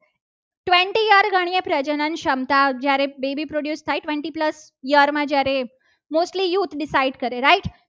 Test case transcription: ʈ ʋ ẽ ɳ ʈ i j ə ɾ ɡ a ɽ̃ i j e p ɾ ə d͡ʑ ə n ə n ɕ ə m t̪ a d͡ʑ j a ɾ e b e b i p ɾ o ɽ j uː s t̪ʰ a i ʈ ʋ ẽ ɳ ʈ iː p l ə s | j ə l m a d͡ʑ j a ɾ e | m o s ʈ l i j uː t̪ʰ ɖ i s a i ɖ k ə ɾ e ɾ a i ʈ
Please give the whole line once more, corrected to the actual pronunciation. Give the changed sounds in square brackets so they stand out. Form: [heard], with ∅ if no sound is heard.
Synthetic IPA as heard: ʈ ʋ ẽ ɳ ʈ i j ə ɾ ɡ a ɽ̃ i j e p ɾ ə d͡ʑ ə n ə n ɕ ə m t̪ a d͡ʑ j a ɾ e b e b i p ɾ o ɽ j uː s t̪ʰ a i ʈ ʋ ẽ ɳ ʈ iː p l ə s | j ə [ɾ] m a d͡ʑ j a ɾ e | m o s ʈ l i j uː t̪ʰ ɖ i s a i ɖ k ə ɾ e ɾ a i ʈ